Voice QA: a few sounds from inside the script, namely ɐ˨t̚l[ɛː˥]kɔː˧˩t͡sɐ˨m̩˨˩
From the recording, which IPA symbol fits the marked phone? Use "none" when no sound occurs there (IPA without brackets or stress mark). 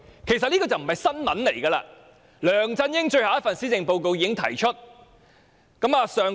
iː˥